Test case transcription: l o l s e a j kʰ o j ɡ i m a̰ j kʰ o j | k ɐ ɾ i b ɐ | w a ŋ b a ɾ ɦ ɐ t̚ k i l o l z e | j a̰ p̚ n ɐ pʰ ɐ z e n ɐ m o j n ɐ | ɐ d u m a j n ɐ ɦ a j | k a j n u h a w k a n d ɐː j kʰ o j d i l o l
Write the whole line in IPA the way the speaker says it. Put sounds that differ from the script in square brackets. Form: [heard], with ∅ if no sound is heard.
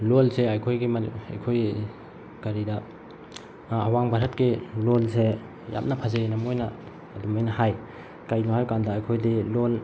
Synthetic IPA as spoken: l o l s e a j kʰ o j ɡ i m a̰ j kʰ o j | k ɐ ɾ i [d] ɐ | w a ŋ b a ɾ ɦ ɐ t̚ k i l o l [s] e | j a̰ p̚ n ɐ pʰ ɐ z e n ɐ m o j n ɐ | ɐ d u m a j n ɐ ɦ a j | k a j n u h a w k a n d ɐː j kʰ o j d i l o l